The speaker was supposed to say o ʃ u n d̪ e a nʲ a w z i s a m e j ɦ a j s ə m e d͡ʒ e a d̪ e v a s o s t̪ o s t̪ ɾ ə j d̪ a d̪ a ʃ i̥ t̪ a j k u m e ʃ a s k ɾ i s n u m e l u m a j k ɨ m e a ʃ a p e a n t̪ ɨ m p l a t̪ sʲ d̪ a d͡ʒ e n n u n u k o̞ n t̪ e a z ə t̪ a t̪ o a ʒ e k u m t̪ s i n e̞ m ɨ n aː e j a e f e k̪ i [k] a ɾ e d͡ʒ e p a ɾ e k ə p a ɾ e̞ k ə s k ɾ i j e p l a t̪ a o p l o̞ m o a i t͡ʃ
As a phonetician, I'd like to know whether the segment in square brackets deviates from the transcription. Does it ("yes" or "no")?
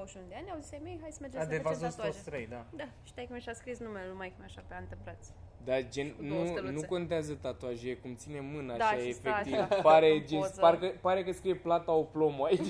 yes